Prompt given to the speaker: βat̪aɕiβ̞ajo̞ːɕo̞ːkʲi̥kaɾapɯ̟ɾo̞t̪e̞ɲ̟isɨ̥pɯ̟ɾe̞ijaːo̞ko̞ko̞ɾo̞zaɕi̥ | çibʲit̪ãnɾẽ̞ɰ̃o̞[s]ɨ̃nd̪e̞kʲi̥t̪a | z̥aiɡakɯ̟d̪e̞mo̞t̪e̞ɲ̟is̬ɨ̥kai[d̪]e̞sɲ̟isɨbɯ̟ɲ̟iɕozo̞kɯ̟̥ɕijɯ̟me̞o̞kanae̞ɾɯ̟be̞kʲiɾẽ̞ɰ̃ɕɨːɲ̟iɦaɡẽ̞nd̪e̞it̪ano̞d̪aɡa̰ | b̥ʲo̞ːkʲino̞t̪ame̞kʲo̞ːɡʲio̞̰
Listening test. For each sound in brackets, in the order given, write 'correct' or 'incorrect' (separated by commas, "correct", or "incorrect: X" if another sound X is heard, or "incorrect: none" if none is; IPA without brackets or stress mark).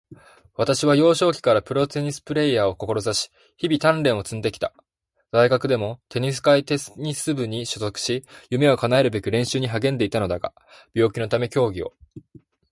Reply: incorrect: t͡s, incorrect: t̪